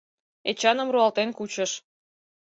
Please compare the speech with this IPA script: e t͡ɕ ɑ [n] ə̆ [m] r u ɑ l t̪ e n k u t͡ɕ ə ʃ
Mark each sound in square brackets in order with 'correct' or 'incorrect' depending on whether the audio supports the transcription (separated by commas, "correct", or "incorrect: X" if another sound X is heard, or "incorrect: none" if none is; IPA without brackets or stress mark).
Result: correct, correct